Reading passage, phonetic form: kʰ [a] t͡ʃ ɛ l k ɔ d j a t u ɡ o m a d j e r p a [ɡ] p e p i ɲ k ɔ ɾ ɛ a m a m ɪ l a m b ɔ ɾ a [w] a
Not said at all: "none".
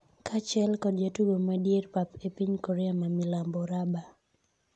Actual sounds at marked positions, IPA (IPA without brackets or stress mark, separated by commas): a, none, b